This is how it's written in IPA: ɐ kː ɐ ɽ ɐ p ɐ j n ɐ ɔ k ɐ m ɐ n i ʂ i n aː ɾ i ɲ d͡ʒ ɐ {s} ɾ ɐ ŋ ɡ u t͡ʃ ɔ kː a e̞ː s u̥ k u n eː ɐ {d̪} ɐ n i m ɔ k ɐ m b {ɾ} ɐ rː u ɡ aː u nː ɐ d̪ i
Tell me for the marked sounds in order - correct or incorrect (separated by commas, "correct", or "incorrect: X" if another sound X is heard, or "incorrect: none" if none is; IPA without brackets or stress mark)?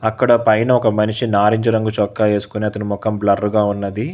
incorrect: none, incorrect: t̪, incorrect: l